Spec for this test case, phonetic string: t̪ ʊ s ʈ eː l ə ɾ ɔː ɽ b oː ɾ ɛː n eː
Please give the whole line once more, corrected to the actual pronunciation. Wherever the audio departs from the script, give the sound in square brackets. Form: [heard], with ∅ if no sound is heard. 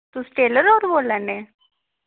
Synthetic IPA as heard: t̪ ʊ s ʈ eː l ə ɾ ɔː [ɾ] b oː [l] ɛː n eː

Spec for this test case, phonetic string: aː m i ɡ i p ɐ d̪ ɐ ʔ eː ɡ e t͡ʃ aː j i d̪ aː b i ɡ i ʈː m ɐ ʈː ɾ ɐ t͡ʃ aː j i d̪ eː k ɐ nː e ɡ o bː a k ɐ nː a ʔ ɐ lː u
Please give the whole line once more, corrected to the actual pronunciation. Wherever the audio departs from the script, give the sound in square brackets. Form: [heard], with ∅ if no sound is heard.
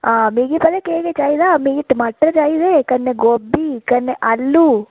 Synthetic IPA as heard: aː m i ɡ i p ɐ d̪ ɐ [k] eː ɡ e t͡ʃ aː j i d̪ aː [m] i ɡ i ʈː m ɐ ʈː ɾ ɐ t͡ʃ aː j i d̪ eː k ɐ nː e ɡ o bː [i] k ɐ nː [e] ʔ ɐ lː u

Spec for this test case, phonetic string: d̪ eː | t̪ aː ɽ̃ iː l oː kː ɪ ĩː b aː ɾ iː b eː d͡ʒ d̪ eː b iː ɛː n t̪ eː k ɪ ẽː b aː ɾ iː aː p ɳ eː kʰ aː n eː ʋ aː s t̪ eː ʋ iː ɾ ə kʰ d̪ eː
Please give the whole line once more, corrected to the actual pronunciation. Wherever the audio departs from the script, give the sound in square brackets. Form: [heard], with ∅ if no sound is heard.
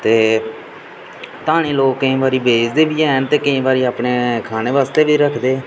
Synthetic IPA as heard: [t̪] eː | t̪ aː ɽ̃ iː l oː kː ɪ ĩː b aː ɾ iː b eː d͡ʒ d̪ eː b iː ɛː n t̪ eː k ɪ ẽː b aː ɾ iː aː p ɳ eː kʰ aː n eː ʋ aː s t̪ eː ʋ iː ɾ ə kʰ d̪ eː

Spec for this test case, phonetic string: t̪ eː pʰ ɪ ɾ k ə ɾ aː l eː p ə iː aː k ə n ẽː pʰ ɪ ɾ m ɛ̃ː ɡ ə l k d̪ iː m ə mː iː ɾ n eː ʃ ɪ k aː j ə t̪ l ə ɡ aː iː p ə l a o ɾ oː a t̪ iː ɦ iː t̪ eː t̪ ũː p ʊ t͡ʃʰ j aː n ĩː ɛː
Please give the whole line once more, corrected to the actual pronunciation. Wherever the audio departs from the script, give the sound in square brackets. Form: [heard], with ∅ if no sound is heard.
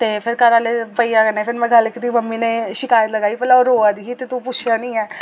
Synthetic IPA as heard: t̪ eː pʰ ɪ ɾ k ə ɾ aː l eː p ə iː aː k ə n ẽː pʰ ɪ ɾ m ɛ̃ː ɡ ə l k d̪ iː m ə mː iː [∅] n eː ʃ ɪ k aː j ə t̪ l ə ɡ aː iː p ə l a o ɾ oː a [d̪] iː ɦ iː t̪ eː t̪ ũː p ʊ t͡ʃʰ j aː n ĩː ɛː

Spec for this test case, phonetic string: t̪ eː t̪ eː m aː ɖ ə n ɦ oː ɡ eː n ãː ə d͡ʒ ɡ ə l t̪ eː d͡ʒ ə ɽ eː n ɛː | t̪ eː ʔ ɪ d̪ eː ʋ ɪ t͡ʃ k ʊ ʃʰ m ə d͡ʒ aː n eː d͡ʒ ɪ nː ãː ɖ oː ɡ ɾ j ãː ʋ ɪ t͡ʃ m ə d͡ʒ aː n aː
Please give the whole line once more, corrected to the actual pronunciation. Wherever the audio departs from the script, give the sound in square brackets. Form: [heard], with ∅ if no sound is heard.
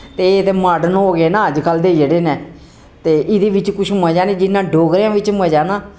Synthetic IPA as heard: t̪ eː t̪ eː m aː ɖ ə n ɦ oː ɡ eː n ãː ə d͡ʒ [k] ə l [d̪] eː d͡ʒ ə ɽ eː n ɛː | t̪ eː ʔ ɪ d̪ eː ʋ ɪ t͡ʃ k ʊ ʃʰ m ə d͡ʒ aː n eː d͡ʒ ɪ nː ãː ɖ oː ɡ ɾ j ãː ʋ ɪ t͡ʃ m ə d͡ʒ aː n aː

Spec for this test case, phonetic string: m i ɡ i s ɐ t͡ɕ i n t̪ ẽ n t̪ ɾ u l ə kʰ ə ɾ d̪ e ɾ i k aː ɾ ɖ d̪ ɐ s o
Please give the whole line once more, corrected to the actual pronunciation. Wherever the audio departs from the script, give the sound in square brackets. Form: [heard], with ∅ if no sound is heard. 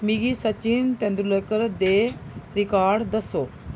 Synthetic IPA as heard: m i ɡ i s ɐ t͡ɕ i n t̪ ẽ n [d̪] ɾ u l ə [k] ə ɾ d̪ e ɾ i k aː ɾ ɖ d̪ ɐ s o

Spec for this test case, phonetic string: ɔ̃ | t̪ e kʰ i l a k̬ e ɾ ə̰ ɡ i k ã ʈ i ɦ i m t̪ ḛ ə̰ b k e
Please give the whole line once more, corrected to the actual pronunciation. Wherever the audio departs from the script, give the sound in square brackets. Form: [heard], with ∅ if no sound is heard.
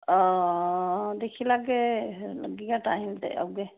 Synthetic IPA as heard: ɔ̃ | [d̪] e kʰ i l a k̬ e [l] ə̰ ɡ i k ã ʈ [a] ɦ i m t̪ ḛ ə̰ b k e

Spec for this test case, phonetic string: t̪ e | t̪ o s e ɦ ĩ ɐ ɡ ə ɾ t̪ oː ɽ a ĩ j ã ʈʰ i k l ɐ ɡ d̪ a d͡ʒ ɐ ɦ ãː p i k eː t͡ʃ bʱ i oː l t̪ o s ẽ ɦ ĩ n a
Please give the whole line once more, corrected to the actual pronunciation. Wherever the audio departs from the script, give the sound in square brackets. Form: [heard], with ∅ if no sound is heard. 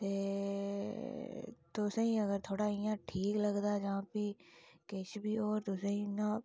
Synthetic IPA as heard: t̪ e | t̪ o s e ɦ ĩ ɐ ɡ ə ɾ [t̪ʰ] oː ɽ a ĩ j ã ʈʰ [iː] k l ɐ ɡ d̪ a d͡ʒ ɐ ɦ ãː p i k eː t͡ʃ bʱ i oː [ɾ] t̪ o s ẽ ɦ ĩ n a

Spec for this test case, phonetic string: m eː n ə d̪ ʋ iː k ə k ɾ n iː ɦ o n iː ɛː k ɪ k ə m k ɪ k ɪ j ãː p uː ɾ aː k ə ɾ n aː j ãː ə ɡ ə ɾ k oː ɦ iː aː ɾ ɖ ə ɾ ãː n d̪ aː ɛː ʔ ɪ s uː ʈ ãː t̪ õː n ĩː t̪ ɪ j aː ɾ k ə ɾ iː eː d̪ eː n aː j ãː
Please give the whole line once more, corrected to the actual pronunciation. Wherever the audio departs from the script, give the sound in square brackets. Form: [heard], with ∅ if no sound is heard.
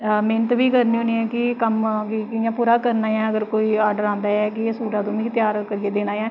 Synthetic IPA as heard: m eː n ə [t̪] ʋ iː k ə [∅] ɾ n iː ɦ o n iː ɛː k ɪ k ə m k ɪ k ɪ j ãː p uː ɾ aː k ə ɾ n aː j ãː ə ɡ ə ɾ k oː [∅] iː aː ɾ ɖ ə ɾ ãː n d̪ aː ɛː [k] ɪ s uː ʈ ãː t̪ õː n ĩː t̪ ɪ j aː ɾ k ə ɾ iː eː d̪ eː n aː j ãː

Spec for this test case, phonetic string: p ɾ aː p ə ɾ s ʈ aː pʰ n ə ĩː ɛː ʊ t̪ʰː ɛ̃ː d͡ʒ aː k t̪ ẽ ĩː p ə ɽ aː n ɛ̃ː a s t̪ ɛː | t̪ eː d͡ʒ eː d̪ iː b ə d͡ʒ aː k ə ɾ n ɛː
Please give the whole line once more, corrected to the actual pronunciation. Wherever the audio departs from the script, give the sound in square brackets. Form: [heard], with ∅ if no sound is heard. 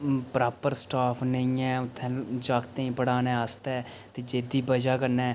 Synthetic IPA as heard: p ɾ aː p ə ɾ s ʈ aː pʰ n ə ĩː ɛː ʊ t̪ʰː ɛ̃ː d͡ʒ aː k t̪ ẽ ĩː p ə ɽ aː n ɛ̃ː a s t̪ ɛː | t̪ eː d͡ʒ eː d̪ iː b ə d͡ʒ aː k ə ɾ n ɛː

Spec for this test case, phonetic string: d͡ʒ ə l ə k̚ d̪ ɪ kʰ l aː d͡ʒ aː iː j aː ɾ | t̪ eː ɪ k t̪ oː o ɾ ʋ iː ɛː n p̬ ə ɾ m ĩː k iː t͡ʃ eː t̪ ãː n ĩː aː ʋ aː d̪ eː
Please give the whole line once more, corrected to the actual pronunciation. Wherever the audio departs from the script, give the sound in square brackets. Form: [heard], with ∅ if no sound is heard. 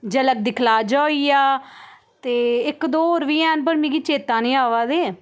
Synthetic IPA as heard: d͡ʒ ə l ə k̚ d̪ ɪ kʰ l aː d͡ʒ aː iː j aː [∅] | t̪ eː ɪ k [d̪] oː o ɾ ʋ iː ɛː n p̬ ə ɾ m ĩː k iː t͡ʃ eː t̪ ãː n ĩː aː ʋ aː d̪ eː

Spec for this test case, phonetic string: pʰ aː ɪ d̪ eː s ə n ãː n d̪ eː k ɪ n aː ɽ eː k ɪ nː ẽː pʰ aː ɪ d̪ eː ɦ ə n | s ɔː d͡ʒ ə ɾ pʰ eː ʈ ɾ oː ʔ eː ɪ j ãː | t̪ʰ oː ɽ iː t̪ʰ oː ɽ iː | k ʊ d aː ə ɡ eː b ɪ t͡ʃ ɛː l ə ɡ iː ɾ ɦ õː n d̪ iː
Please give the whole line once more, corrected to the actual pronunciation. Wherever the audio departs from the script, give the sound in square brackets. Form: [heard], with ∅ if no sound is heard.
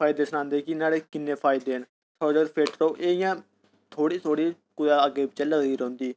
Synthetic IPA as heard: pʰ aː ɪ d̪ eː s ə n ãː n d̪ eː k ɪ n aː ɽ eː k ɪ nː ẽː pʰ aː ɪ d̪ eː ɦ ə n | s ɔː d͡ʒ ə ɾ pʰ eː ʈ ɾ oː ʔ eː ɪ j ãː | t̪ʰ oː ɽ iː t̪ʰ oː ɽ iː | k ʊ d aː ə ɡ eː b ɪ t͡ʃ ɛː l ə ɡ iː ɾ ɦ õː n d̪ iː

